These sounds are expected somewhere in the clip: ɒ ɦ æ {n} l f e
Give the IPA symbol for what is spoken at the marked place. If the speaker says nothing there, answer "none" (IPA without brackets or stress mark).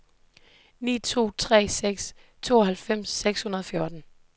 none